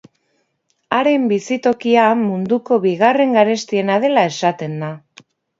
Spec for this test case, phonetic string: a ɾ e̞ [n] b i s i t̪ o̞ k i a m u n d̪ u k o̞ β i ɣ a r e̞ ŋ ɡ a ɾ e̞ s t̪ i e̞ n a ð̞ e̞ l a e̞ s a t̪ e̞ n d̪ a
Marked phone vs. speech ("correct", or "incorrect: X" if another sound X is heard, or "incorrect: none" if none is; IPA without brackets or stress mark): incorrect: m